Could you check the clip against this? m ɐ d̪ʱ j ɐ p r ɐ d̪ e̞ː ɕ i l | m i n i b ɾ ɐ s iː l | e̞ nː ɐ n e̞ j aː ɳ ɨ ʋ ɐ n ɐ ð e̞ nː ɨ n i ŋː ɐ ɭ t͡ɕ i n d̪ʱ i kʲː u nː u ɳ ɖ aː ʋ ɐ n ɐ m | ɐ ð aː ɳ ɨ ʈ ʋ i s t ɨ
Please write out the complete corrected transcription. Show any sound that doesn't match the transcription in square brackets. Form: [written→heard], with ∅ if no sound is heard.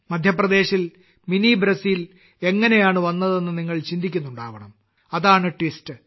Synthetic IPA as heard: m ɐ d̪ʱ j ɐ p r ɐ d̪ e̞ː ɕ i l | m i n i b ɾ ɐ s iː l | e̞ [nː→ŋː] ɐ n e̞ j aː ɳ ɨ ʋ ɐ [n→nː] ɐ ð e̞ nː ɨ n i ŋː ɐ ɭ t͡ɕ i n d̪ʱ i kʲː u nː u ɳ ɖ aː ʋ ɐ [n→ɳ] ɐ m | ɐ ð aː ɳ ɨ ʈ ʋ i s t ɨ